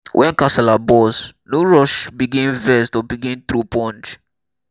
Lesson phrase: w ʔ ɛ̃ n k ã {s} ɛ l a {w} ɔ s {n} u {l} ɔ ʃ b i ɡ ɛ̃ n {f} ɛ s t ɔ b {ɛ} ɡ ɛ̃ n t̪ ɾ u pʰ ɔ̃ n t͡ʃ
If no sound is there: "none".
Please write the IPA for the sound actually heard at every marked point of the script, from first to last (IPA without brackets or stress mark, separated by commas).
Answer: s, b, n, ɹ, v, i